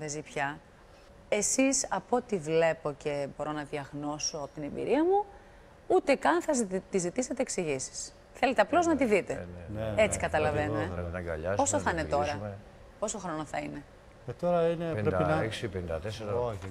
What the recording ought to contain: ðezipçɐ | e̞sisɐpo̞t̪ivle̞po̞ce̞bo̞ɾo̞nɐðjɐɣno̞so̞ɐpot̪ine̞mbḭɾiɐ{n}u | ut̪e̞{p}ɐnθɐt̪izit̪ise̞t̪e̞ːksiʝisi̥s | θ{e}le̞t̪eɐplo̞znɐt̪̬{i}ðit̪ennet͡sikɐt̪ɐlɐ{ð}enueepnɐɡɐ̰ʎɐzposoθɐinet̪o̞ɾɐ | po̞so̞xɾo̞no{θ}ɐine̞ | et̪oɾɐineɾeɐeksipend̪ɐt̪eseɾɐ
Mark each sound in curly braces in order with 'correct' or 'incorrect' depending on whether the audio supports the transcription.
incorrect, incorrect, correct, correct, incorrect, correct

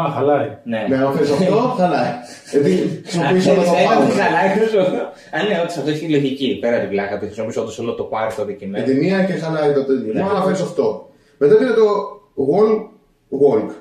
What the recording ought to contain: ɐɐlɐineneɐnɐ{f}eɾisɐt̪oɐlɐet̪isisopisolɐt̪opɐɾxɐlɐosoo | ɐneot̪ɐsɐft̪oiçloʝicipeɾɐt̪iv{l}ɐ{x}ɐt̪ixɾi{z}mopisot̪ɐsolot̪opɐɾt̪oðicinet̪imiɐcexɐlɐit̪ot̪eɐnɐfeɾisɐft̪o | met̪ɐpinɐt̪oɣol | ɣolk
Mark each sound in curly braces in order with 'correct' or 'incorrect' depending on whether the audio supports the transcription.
correct, correct, incorrect, incorrect

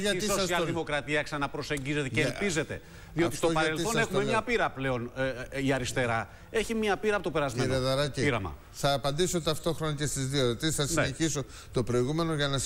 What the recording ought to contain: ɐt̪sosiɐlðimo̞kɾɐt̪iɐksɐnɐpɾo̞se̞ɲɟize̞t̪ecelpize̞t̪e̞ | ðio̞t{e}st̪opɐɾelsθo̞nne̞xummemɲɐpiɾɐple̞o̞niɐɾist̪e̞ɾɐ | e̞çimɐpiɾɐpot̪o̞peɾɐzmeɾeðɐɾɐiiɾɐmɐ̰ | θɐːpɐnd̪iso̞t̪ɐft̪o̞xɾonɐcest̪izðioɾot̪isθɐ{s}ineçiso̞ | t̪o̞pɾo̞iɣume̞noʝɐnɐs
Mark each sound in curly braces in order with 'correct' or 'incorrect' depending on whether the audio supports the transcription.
incorrect, correct

